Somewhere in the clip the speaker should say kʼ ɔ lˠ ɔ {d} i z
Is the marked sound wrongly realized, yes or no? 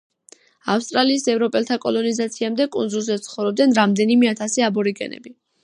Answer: yes